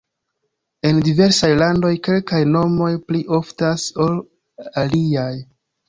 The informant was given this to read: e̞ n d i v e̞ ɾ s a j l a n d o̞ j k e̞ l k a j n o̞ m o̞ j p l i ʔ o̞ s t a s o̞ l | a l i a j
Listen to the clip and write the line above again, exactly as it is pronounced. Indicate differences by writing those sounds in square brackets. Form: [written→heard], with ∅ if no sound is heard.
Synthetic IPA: e̞ n d i v e̞ ɾ s a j l a n d o̞ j k e̞ l k a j n o̞ m o̞ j p l i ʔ o̞ [s→f] t a s o̞ l | a l i a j